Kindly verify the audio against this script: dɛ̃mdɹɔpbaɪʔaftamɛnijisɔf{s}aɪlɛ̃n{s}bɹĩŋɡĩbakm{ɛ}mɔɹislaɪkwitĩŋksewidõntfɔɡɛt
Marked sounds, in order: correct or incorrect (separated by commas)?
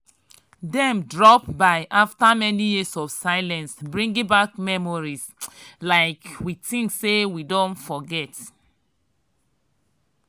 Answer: correct, correct, correct